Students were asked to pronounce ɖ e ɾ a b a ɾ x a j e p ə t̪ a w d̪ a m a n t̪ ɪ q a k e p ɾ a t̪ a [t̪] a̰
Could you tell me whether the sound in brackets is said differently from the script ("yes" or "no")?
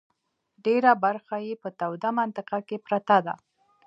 yes